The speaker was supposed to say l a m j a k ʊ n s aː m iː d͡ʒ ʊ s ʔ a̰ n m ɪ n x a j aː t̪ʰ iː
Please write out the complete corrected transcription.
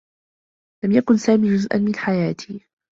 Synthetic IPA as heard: l a m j a k ʊ n s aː m iː d͡ʒ ʊ z ʔ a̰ n m ɪ n ħ a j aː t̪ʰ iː